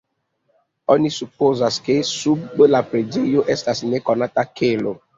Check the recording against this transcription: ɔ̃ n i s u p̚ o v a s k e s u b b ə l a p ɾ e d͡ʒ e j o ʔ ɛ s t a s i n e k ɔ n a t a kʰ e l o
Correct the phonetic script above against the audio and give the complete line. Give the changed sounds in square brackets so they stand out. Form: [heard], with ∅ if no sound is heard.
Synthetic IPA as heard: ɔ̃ n i s u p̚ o [z] a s k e s u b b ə l a p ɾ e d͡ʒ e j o ʔ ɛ s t a s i n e k ɔ n a t a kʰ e l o